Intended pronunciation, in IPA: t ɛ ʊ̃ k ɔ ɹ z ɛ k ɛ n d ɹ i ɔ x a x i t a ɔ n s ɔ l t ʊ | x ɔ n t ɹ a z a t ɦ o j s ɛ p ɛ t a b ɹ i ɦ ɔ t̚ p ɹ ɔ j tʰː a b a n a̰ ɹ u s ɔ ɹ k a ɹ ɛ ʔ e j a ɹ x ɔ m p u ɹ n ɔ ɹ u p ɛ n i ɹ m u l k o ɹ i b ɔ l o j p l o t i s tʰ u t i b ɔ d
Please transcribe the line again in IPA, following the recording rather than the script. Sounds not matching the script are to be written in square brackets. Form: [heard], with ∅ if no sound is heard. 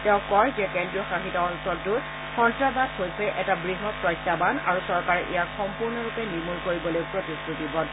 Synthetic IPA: t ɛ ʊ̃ k ɔ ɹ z ɛ k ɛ n d ɹ i ɔ x a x i t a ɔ n s ɔ l t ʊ | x ɔ n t ɹ a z a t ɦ o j s ɛ [ʔ] ɛ t a b ɹ i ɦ ɔ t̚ p ɹ ɔ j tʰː a b a n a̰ ɹ u s ɔ ɹ k a ɹ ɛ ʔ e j a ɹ x ɔ m p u ɹ n ɔ ɹ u p ɛ n i ɹ m u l k o ɹ i b ɔ l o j p [ɹ] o t i s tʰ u t i b ɔ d